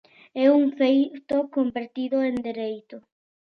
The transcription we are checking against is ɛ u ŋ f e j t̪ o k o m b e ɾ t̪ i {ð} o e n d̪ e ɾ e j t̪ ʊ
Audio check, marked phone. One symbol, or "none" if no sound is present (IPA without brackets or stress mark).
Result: ð